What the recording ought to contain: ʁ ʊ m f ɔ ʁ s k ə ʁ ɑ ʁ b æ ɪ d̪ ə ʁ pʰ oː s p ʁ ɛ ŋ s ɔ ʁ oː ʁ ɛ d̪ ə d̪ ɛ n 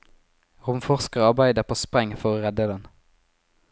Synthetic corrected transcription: ʁ ʊ m f ɔ ʁ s k ə ʁ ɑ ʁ b æ ɪ d̪ ə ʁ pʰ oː s p ʁ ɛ ŋ f ɔ ʁ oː ʁ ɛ d̪ ə d̪ ɛ n